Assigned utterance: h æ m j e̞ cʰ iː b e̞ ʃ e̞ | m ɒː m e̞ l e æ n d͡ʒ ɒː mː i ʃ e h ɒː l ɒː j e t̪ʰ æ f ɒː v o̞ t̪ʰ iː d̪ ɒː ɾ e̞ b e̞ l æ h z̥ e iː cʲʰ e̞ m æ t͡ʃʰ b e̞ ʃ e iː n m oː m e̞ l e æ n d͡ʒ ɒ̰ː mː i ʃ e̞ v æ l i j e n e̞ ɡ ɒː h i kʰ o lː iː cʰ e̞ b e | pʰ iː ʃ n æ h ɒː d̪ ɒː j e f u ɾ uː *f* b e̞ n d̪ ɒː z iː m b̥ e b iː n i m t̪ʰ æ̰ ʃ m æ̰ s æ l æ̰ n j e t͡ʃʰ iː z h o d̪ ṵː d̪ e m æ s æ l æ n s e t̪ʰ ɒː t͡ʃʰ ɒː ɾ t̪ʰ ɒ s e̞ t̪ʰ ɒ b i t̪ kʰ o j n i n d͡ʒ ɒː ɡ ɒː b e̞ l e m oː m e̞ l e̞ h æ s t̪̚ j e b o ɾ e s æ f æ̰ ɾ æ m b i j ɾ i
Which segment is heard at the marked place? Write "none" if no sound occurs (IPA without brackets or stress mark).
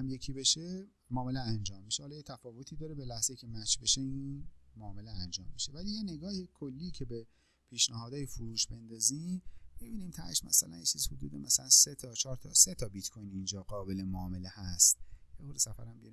ʃ